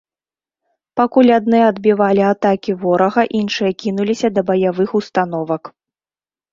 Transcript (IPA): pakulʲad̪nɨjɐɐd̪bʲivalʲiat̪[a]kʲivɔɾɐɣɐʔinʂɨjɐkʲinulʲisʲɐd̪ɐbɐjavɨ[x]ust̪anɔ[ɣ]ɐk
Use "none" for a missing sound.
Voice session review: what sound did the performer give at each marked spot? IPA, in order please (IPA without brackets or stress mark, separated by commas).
a, x, v